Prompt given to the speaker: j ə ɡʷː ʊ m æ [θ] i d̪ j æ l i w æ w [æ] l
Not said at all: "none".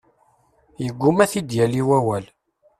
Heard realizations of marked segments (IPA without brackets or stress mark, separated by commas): θ, æ